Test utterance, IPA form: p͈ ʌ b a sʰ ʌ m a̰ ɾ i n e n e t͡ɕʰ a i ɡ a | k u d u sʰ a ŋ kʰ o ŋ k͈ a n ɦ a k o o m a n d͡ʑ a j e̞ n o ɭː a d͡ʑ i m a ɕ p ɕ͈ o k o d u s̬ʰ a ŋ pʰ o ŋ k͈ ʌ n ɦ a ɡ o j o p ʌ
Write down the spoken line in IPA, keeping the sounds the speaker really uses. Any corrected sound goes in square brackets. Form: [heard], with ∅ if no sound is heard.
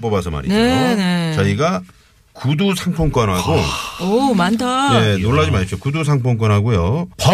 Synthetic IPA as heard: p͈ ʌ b a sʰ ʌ m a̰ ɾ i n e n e [t͡ɕ] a i ɡ a | k u d u sʰ a ŋ [pʰ] o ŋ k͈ [ʌ] n ɦ a [ɡ] o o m a n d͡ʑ a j e̞ n o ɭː a d͡ʑ i m a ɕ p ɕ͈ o k [u] d u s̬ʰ a ŋ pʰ o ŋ k͈ ʌ n ɦ a ɡ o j o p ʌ